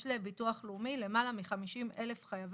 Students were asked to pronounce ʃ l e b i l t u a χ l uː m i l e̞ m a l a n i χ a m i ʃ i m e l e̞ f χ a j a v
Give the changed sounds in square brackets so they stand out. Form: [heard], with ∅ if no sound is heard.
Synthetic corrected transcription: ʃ l e b i [∅] t u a χ l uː m i l e̞ m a l a [m] i χ a m i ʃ i m e l e̞ f χ a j a v